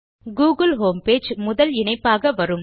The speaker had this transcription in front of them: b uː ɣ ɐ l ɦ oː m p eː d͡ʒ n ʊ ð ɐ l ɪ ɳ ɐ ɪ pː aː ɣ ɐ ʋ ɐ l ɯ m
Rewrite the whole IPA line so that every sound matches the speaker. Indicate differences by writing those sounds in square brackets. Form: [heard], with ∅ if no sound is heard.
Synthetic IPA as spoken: [ɡ] uː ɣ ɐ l ɦ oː m p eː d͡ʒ [m] ʊ ð ɐ l ɪ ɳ ɐ ɪ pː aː ɣ ɐ ʋ ɐ [ɾ] ɯ m